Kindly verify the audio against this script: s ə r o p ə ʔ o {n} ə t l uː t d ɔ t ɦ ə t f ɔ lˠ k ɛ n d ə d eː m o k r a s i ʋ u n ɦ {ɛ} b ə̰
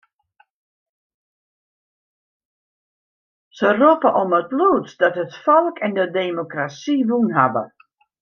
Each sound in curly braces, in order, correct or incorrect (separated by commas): incorrect, incorrect